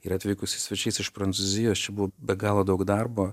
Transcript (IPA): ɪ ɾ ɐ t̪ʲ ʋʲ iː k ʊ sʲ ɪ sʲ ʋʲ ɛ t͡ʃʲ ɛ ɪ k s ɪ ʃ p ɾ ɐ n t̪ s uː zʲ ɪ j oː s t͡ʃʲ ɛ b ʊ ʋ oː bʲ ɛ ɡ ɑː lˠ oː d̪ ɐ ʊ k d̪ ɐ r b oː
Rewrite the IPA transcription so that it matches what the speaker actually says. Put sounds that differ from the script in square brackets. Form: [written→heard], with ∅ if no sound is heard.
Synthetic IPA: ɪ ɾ ɐ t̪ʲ ʋʲ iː k ʊ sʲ ɪ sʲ ʋʲ ɛ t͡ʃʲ ɛ ɪ [k→∅] s ɪ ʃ p ɾ ɐ n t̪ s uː zʲ ɪ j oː s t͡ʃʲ ɛ b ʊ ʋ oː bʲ ɛ ɡ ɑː lˠ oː d̪ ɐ ʊ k d̪ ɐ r b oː

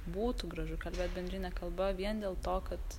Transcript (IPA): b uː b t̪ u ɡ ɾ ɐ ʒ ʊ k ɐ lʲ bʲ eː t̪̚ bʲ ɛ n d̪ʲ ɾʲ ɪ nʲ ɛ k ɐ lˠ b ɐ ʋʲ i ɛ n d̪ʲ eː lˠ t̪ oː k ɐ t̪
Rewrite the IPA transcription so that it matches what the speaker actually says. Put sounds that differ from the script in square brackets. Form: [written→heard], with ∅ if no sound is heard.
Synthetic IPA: b uː [b→∅] t̪ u ɡ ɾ ɐ ʒ ʊ k ɐ lʲ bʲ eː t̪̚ bʲ ɛ n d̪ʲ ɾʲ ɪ nʲ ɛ k ɐ lˠ b ɐ ʋʲ i ɛ n d̪ʲ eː lˠ t̪ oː k ɐ t̪

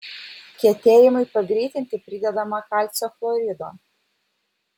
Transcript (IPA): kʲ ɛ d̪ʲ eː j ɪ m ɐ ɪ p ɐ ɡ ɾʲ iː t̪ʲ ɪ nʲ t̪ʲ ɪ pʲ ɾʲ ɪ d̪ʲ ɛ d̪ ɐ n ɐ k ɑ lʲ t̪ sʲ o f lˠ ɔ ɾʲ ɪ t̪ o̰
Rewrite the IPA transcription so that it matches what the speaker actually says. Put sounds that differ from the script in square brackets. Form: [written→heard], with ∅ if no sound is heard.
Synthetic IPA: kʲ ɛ [d̪ʲ→t̪ʲ] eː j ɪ m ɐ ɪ p ɐ ɡ ɾʲ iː t̪ʲ ɪ nʲ t̪ʲ ɪ pʲ ɾʲ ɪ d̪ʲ ɛ d̪ ɐ [n→m] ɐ k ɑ lʲ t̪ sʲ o f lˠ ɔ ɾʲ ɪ [t̪→d̪] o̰

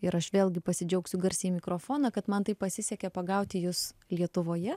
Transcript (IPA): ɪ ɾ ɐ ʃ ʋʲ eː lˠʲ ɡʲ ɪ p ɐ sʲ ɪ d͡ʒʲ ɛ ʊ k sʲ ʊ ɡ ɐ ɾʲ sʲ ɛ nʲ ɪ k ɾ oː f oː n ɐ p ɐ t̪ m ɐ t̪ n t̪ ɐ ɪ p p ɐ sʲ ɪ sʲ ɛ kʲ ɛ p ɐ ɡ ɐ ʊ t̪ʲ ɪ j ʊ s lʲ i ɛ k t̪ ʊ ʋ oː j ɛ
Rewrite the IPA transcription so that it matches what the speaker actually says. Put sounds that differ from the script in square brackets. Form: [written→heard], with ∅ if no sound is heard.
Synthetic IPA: ɪ ɾ ɐ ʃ ʋʲ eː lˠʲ ɡʲ ɪ p ɐ sʲ ɪ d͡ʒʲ ɛ ʊ k sʲ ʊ ɡ ɐ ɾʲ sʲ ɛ [nʲ→mʲ] ɪ k ɾ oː f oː n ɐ [p→k] ɐ t̪ m ɐ [t̪→∅] n t̪ ɐ ɪ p p ɐ sʲ ɪ sʲ ɛ kʲ ɛ p ɐ ɡ ɐ ʊ t̪ʲ ɪ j ʊ s lʲ i ɛ [k→∅] t̪ ʊ ʋ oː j ɛ

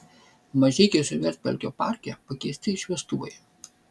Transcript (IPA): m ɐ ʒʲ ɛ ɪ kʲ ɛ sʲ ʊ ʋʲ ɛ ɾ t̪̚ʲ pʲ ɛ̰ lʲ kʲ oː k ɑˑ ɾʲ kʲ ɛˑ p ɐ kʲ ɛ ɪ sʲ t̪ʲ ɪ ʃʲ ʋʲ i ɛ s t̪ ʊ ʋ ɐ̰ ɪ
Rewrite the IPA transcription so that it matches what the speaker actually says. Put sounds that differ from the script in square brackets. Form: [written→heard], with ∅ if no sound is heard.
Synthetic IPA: m ɐ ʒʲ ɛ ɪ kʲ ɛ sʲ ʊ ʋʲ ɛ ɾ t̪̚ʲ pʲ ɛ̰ lʲ kʲ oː [k→p] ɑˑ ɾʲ kʲ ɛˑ p ɐ kʲ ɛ ɪ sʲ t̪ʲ ɪ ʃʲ ʋʲ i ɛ s t̪ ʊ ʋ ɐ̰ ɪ

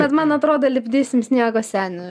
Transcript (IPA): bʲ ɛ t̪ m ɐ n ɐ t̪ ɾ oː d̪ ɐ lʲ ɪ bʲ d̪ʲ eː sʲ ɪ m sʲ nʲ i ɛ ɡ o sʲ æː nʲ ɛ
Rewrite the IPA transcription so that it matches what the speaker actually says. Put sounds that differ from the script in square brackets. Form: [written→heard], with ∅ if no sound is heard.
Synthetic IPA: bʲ ɛ t̪ m ɐ n ɐ t̪ ɾ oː d̪ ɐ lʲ ɪ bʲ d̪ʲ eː sʲ ɪ m sʲ nʲ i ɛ ɡ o sʲ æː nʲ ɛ

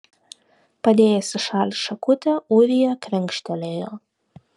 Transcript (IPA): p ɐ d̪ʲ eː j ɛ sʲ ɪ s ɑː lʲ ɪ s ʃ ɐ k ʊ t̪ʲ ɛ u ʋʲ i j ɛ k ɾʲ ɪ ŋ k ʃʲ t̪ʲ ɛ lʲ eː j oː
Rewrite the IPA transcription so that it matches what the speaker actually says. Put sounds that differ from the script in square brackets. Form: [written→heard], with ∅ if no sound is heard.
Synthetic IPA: p ɐ d̪ʲ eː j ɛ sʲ ɪ [s→ʃ] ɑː lʲ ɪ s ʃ ɐ k ʊ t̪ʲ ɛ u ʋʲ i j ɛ k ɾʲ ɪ ŋ k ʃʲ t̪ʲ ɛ lʲ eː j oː

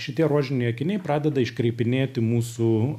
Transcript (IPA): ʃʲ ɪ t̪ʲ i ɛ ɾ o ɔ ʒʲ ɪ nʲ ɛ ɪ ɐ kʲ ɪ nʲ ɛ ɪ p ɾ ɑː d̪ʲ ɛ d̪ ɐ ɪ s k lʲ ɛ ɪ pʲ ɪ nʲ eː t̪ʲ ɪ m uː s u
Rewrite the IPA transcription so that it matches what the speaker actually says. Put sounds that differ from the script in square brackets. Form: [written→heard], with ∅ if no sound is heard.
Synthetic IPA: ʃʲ ɪ t̪ʲ i ɛ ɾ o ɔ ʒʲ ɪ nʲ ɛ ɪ ɐ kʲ ɪ nʲ ɛ ɪ p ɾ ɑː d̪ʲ ɛ d̪ ɐ ɪ [s→ʃ] k [lʲ→ɾʲ] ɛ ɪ pʲ ɪ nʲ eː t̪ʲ ɪ m uː s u

